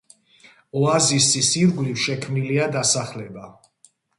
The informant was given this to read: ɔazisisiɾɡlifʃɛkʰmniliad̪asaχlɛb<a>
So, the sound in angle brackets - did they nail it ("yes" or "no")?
yes